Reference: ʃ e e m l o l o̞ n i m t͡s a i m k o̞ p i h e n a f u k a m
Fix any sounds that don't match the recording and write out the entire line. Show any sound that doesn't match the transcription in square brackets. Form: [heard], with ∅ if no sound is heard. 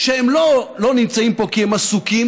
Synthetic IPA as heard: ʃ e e m l o l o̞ n i m t͡s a i m [p] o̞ [k] i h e [m] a [s] u k [i] m